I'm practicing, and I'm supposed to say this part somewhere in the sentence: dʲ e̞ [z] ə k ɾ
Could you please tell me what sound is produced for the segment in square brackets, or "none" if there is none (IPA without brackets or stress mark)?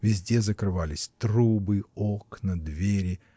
z